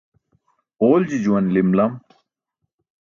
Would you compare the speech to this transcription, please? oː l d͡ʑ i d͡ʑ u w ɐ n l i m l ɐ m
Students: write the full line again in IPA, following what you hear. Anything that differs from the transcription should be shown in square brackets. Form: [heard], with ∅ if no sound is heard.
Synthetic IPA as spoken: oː l d͡ʑ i d͡ʑ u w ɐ n l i m l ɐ m